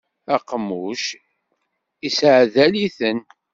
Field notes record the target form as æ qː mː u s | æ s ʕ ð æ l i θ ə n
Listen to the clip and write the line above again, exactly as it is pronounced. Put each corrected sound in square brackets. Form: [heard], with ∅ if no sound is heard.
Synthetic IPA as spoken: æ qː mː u [ʃ] | [i] s ʕ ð æ l i θ ə n